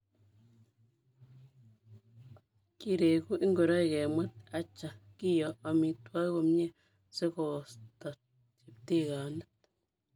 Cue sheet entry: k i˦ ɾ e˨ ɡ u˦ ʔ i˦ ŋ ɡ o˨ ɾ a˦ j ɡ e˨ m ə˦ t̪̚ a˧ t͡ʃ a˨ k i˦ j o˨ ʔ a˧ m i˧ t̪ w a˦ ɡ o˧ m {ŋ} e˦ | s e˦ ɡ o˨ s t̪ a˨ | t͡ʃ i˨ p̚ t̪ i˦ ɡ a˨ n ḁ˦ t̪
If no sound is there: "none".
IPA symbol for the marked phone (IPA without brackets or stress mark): ɲ